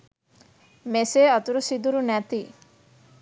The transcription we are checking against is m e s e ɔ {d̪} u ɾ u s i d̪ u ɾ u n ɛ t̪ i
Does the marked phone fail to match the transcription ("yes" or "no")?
yes